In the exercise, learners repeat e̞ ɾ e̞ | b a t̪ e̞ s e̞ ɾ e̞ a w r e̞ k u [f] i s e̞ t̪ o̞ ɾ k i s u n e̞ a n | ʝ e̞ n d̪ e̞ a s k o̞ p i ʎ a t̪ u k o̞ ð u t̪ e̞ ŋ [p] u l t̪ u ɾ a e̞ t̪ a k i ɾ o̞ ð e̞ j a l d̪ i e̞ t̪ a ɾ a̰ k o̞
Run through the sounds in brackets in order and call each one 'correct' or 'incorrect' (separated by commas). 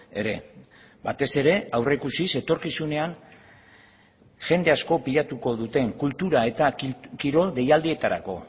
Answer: incorrect, incorrect